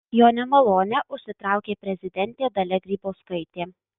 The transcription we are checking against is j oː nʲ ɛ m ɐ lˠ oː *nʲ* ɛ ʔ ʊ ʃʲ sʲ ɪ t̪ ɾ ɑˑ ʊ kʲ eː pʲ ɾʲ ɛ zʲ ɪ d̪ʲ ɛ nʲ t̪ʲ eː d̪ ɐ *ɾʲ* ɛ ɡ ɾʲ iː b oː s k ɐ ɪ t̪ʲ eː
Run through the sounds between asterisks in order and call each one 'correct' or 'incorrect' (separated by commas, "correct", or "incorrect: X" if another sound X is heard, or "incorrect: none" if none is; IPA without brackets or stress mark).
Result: correct, incorrect: lʲ